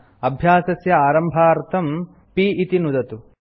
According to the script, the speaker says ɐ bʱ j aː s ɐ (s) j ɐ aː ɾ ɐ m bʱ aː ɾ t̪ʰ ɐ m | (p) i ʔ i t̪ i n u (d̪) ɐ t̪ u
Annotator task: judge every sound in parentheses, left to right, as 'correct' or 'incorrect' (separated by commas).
correct, correct, correct